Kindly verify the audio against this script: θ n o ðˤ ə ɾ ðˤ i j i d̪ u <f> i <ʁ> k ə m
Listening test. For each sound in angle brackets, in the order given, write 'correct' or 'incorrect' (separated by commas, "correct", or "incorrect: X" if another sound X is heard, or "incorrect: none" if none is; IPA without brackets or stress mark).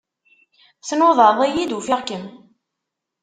correct, correct